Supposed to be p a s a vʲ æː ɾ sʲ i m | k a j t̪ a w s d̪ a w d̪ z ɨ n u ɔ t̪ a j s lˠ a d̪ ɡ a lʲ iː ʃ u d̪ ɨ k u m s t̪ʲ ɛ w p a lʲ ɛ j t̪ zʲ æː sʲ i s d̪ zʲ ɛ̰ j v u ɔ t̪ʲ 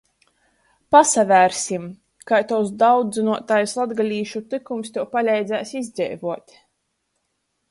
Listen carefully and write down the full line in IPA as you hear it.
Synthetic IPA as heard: p a s a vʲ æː ɾ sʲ i m | k a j t̪ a w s d̪ a w d̪ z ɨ n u ɔ t̪ a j s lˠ a d̪ ɡ a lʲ iː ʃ u t̪ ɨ k u m s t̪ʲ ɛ w p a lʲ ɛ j d̪ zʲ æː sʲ i z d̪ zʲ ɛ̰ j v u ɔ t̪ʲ